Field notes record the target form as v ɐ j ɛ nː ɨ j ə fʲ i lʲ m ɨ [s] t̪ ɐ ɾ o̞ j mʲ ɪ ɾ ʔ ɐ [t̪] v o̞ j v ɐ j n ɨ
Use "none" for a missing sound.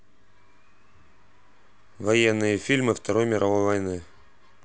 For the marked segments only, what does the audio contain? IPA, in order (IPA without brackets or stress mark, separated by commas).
f, none